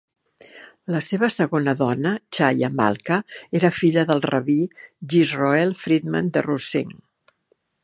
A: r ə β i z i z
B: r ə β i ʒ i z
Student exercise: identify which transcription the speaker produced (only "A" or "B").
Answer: B